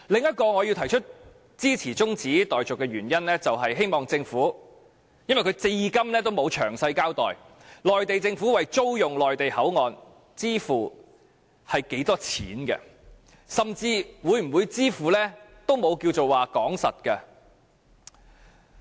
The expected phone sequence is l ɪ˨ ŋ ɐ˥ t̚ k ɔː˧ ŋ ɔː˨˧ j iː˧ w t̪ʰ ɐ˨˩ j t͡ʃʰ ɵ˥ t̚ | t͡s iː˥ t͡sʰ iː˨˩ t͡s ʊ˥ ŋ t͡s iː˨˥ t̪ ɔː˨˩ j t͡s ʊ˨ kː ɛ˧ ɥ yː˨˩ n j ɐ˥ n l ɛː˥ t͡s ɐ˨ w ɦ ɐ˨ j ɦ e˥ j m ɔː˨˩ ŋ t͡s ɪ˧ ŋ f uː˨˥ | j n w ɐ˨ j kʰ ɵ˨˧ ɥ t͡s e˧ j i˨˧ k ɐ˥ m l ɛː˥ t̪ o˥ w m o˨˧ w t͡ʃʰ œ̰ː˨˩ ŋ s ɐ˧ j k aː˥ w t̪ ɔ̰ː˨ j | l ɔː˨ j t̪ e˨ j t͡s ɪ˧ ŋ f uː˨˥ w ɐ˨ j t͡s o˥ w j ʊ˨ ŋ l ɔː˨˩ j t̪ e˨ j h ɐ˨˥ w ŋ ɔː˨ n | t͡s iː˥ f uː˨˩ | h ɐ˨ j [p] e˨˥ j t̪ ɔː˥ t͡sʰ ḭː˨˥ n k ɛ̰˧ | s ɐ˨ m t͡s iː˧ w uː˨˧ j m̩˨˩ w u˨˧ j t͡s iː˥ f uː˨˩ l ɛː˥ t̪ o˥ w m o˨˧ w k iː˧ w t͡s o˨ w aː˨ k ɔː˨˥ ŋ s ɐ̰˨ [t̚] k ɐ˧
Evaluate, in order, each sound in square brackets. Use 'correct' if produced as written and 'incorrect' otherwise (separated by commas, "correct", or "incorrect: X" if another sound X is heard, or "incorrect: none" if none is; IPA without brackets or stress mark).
incorrect: k, correct